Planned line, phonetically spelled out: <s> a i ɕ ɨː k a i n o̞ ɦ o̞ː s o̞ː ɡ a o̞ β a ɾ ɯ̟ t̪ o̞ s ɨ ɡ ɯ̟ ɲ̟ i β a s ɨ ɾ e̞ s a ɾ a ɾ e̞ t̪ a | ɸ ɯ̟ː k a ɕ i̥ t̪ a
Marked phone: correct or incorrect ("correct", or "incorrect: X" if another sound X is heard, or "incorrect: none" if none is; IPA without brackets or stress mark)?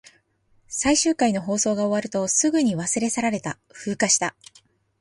correct